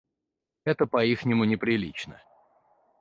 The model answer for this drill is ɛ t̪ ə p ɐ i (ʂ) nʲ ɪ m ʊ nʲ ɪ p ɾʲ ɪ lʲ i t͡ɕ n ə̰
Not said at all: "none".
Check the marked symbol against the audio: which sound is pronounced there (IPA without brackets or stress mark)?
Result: x